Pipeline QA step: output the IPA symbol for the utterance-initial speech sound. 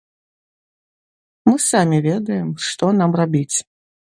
m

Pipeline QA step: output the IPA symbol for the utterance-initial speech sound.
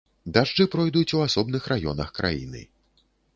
d̪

